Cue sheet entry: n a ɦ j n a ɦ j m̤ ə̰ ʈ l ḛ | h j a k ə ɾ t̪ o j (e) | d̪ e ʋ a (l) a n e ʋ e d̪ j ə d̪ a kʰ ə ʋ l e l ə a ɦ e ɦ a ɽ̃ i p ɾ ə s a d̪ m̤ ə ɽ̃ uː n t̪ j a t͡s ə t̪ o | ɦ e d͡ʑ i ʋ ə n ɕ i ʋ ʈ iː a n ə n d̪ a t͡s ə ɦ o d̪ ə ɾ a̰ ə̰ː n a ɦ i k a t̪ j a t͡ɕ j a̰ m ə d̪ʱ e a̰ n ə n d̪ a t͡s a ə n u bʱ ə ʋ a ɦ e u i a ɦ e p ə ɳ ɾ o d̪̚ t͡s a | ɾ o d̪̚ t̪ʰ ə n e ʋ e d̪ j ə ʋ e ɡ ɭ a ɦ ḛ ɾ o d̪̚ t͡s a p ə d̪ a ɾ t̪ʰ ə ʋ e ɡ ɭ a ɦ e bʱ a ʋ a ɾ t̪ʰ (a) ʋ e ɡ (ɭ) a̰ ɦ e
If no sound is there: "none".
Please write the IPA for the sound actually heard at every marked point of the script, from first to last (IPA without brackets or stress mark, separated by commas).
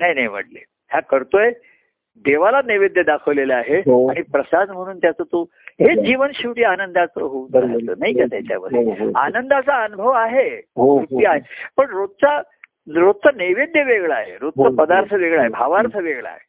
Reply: e, l, ə, ɭ